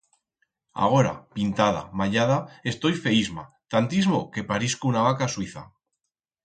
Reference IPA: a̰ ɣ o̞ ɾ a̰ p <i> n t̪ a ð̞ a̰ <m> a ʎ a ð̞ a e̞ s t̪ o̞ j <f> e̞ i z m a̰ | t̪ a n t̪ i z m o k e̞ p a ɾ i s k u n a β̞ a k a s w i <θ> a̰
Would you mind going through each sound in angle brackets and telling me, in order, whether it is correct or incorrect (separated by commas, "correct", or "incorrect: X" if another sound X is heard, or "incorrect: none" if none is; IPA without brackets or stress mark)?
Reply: correct, correct, correct, correct